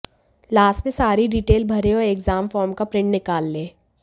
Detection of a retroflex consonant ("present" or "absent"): present